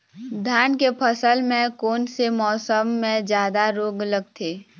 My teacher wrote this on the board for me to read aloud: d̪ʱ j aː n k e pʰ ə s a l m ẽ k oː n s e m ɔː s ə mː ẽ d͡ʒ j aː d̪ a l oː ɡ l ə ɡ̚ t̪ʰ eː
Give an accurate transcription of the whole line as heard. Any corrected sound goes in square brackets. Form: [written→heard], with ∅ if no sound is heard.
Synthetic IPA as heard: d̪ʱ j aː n k e pʰ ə s [a→ə] l m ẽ k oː n s e m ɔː s ə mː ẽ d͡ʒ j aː d̪ a [l→ɾ] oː ɡ l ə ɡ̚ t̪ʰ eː